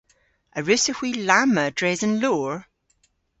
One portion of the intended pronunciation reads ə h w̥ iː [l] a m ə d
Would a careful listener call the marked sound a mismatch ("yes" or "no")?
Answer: no